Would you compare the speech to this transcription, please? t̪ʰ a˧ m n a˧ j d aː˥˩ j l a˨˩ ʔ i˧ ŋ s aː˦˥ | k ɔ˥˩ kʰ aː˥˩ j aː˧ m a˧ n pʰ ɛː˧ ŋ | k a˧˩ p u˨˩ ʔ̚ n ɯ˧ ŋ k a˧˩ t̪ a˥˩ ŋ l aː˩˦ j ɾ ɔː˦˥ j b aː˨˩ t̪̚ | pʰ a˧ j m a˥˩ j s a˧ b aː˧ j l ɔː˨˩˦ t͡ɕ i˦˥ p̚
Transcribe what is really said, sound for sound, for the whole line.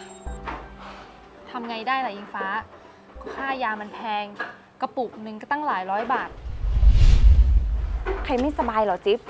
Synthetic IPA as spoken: t̪ʰ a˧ m ŋ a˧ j d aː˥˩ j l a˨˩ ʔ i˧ ŋ f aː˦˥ | k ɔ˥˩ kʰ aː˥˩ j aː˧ m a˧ n pʰ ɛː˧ ŋ | k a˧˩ p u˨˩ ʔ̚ n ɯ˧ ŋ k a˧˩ t̪ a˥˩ ŋ l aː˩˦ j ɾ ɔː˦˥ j b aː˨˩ t̪̚ | kʰ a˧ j m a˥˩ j s a˧ b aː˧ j l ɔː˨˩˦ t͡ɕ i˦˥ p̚

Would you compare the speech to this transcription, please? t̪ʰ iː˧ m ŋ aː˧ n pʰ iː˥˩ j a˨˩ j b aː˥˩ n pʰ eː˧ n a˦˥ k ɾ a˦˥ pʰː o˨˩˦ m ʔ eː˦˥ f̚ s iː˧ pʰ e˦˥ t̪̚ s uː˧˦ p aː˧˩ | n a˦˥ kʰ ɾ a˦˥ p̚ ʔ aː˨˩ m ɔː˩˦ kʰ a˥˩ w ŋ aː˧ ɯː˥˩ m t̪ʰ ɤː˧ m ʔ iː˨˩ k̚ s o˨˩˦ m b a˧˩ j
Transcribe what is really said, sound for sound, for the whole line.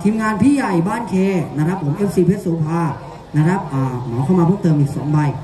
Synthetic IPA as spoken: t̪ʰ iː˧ m ŋ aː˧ n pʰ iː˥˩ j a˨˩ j b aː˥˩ n kʰ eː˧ n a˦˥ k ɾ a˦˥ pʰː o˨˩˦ m ʔ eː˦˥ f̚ s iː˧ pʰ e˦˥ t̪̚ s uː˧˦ pʰ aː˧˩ | n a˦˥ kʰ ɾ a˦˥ p̚ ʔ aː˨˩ m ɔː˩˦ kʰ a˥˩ w m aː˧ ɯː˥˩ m t̪ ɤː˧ m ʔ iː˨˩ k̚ s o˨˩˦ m b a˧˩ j

